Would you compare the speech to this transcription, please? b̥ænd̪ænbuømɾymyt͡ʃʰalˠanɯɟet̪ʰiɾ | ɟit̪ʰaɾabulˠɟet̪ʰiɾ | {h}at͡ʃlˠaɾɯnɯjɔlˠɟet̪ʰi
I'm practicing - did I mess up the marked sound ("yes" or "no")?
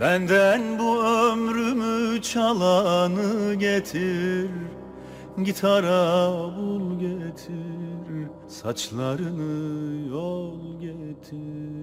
yes